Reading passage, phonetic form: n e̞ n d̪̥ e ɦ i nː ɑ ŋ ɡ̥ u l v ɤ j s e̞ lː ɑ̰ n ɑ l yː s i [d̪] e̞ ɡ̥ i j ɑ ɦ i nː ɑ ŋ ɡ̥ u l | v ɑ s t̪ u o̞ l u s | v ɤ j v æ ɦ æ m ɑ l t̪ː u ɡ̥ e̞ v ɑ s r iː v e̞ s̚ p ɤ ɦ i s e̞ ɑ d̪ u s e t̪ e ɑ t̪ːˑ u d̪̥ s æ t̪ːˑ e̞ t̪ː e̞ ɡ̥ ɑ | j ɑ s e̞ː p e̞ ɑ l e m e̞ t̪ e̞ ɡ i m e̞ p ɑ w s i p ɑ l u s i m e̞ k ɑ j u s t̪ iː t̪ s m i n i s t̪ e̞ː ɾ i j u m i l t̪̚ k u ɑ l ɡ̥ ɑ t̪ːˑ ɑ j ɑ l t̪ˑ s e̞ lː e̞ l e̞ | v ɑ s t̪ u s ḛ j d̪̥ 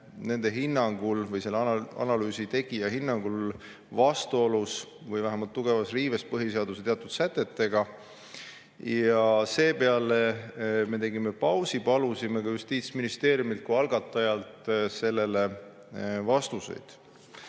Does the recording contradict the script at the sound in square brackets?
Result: yes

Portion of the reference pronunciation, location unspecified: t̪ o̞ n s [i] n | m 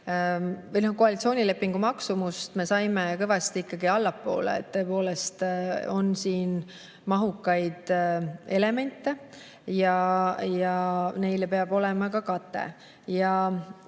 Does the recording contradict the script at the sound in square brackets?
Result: yes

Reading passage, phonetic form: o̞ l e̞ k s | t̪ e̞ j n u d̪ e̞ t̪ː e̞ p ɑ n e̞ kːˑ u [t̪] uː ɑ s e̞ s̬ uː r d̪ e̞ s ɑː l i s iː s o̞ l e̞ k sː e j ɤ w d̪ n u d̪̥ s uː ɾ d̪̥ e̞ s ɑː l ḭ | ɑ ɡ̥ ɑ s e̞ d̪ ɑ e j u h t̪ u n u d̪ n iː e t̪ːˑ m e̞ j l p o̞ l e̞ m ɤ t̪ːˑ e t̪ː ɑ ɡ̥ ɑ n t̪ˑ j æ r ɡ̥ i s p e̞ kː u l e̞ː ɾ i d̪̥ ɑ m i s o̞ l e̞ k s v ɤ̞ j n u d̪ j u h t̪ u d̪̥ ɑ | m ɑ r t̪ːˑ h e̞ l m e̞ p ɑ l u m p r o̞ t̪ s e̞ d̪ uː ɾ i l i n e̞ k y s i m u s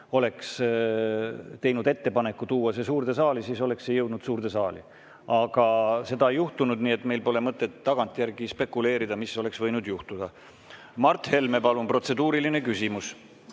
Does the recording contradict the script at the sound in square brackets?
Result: no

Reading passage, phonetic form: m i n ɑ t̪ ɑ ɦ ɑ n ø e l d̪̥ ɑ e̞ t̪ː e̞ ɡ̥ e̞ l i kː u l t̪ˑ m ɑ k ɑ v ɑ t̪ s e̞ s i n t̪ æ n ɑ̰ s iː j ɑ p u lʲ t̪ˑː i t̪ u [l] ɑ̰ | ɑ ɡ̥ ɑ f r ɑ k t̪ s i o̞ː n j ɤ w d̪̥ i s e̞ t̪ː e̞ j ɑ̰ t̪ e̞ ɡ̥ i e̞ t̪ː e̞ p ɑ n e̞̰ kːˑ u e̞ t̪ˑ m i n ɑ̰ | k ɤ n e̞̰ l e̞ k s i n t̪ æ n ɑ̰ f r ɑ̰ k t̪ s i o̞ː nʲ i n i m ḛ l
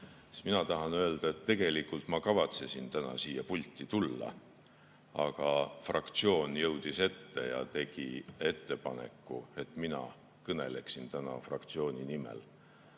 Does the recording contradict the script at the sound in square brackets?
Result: yes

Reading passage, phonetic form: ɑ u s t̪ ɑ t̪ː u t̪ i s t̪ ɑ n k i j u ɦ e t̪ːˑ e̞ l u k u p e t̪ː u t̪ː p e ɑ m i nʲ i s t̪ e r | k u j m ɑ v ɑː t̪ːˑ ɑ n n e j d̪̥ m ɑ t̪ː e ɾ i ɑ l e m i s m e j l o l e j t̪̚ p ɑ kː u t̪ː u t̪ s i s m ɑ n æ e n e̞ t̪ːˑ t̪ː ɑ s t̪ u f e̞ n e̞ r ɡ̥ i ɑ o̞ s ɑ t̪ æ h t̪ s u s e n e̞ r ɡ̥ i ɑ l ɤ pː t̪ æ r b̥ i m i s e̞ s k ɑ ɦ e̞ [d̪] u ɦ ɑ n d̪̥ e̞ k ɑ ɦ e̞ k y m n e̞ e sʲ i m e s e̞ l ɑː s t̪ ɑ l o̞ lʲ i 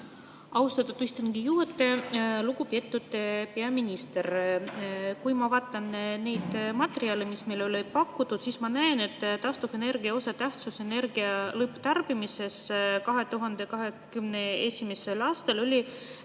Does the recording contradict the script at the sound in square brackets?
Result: yes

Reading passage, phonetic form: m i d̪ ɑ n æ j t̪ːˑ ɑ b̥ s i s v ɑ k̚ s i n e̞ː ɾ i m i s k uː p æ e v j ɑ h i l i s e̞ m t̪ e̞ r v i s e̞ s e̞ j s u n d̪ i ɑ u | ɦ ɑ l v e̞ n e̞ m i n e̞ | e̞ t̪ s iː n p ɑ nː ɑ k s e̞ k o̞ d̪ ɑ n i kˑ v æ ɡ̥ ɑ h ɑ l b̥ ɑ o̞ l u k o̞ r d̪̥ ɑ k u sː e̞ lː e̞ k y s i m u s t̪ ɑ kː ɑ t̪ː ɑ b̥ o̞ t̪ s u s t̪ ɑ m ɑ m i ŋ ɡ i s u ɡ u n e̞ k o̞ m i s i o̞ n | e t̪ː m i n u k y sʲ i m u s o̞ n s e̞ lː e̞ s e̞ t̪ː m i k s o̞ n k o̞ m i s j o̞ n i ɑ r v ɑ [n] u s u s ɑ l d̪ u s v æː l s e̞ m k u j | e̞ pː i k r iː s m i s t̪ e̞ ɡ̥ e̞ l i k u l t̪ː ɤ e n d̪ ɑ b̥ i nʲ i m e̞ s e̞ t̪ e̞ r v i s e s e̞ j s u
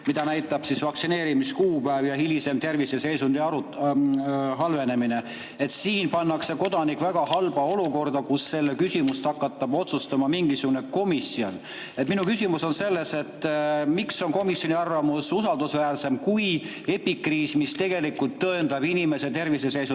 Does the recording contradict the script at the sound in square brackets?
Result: yes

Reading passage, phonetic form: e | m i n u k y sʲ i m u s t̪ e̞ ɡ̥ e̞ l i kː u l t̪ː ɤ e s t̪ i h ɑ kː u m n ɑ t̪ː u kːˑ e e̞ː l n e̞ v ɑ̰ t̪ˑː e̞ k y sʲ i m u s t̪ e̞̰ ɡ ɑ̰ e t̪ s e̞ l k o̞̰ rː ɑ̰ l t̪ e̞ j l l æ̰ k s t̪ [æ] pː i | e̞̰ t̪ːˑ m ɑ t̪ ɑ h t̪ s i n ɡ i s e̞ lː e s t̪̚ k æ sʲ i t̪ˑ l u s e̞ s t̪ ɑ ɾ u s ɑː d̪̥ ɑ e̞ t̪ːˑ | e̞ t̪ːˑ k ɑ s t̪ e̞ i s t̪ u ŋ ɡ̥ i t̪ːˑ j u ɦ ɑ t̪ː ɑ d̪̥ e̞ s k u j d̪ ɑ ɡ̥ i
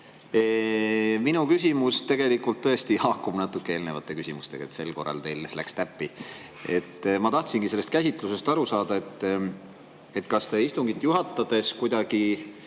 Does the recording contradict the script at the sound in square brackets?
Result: no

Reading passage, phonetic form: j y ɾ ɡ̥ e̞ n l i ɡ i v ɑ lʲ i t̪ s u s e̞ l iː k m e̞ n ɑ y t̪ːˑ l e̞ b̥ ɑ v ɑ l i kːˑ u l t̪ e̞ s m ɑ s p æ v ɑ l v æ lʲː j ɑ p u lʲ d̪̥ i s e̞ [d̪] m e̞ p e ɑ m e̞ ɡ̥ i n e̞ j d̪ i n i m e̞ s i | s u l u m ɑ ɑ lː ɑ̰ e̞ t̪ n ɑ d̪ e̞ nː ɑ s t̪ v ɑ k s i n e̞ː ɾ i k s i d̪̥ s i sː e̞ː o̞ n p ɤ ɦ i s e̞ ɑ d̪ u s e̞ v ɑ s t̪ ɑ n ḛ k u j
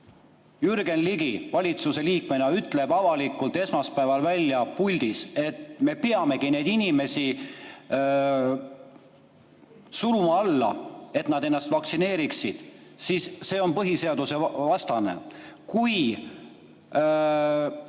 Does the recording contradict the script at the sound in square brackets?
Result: yes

